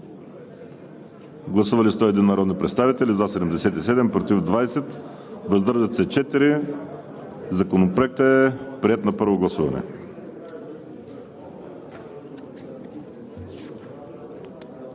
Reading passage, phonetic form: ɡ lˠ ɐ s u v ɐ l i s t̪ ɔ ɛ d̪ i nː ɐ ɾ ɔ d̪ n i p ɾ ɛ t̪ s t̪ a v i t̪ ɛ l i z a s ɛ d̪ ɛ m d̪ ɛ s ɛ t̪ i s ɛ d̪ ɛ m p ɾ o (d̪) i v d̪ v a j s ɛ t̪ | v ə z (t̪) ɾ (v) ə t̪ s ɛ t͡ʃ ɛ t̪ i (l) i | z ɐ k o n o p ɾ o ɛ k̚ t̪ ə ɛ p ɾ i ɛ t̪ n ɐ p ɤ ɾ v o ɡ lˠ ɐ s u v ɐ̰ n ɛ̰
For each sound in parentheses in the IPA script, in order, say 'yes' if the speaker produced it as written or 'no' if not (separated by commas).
no, no, no, no